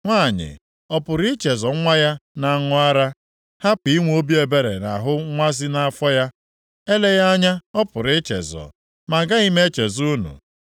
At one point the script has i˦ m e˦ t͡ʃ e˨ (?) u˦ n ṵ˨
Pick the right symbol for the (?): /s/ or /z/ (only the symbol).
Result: z